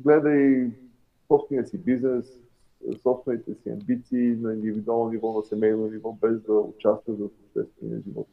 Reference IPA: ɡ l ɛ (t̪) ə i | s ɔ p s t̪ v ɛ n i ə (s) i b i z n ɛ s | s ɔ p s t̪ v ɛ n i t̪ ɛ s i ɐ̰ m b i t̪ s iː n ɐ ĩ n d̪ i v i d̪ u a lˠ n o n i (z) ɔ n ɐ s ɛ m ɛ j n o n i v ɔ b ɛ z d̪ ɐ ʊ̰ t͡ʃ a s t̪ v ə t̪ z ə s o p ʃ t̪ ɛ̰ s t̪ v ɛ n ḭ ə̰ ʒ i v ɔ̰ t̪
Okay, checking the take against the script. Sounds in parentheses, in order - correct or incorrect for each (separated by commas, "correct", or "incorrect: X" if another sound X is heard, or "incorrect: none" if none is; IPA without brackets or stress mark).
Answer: incorrect: d̪, correct, incorrect: v